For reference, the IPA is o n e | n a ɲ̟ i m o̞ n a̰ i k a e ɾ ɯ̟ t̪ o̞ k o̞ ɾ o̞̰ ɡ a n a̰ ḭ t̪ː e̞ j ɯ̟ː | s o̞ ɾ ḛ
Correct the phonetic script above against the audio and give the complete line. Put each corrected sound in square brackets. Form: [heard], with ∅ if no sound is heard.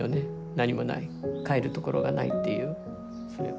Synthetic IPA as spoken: o n e | n a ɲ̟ i m o̞ n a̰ i k a e ɾ ɯ̟ t̪ o̞ k o̞ ɾ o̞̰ ɡ a n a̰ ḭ t̪ː e̞ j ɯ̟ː | s o̞ ɾ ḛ